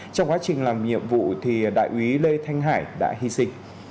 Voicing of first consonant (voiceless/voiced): voiceless